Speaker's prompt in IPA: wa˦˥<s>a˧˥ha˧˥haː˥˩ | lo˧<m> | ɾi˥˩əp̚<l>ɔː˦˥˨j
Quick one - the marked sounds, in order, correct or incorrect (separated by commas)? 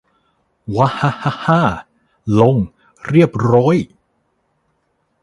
incorrect, incorrect, incorrect